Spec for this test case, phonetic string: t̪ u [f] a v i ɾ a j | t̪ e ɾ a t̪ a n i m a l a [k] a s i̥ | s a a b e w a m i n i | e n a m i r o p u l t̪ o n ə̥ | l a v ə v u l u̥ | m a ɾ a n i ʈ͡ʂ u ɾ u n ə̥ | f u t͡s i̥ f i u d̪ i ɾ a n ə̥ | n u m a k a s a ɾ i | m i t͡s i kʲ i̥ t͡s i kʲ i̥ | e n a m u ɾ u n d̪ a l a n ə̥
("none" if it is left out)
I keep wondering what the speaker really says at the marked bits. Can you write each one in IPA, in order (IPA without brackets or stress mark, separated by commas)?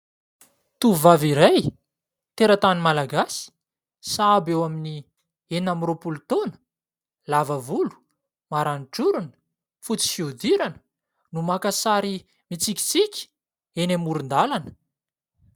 v, ɡ